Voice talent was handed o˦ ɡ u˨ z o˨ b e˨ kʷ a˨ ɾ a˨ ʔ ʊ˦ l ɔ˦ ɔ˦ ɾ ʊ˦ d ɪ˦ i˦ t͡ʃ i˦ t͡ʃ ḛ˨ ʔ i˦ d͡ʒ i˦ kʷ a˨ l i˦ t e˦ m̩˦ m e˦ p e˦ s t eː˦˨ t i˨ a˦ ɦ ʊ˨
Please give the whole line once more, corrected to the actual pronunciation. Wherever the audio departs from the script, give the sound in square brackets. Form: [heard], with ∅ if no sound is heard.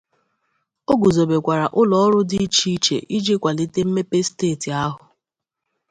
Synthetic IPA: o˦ ɡ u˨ z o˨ b e˨ kʷ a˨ ɾ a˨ ʔ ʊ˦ l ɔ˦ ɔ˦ ɾ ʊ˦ d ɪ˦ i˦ t͡ʃ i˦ t͡ʃ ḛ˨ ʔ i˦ d͡ʒ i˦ kʷ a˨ l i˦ t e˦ m̩˦ m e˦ p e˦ s t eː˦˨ t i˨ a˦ ɦ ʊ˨

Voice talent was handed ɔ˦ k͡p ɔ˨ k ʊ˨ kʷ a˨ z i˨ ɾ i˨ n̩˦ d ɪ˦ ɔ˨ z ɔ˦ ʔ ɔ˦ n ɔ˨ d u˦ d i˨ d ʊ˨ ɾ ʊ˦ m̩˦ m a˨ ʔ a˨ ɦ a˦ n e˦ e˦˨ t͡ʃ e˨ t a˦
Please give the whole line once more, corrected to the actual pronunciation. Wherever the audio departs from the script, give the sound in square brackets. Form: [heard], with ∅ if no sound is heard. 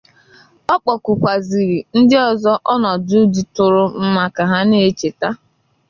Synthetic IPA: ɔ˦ k͡p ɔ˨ k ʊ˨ kʷ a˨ z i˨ ɾ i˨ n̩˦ d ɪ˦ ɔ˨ z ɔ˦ ʔ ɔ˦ n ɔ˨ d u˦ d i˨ [t] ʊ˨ ɾ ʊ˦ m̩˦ m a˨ [k] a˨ ɦ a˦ n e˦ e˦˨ t͡ʃ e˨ t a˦

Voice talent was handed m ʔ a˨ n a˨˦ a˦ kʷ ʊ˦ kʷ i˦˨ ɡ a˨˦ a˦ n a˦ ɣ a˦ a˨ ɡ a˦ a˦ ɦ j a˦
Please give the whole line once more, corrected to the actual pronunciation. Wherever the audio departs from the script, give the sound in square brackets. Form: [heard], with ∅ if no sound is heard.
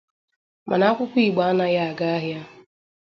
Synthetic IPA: m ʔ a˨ n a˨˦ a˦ kʷ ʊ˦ kʷ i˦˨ [ɡ͡b] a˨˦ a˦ n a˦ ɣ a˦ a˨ ɡ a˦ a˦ ɦ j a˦

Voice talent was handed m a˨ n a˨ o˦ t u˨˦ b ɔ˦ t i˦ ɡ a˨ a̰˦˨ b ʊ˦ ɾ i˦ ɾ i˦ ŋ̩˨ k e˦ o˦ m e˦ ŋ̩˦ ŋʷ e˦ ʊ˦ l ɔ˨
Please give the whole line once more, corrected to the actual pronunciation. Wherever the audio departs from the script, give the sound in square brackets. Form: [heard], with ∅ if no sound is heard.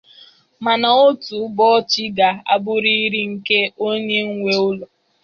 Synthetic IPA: m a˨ n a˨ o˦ t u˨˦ b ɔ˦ [t͡ʃ] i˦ ɡ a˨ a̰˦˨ b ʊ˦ ɾ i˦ ɾ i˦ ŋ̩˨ k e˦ o˦ [ɲ] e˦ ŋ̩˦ ŋʷ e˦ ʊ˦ l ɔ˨

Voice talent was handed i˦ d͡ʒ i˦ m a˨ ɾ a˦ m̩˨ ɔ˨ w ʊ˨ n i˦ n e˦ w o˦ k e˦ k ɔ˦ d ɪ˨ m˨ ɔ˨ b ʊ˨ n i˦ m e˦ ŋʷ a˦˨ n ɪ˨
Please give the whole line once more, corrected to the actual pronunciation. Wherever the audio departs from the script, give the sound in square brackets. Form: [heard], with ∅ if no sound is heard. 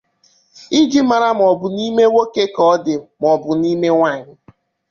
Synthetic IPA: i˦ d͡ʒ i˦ m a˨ ɾ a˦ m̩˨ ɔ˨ [b] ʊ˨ n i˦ [m] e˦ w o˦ k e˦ k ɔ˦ d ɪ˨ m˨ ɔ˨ b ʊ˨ n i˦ m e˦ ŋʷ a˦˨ [ɲ] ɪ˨

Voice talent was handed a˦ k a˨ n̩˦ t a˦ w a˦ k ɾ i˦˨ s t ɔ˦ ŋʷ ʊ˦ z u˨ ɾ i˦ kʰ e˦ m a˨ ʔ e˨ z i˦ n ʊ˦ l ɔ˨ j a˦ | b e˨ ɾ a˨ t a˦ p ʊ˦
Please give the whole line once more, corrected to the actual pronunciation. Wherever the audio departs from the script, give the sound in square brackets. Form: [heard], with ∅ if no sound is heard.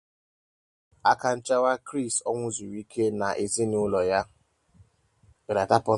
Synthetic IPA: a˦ k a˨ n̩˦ [t͡ʃ] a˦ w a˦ k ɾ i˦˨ s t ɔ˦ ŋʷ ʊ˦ z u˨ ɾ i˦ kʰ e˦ [n] a˨ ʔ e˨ z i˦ n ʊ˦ l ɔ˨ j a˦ | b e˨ ɾ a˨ t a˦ p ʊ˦

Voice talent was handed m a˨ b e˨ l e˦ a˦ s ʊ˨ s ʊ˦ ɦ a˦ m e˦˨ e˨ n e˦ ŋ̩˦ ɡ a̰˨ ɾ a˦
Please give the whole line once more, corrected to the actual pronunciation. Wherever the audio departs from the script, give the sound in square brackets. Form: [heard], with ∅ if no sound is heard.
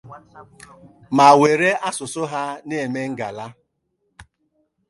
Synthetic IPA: m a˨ [w] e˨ [ɾ] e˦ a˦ s ʊ˨ s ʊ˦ ɦ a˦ [n] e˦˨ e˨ [m] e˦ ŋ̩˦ ɡ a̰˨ [l] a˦

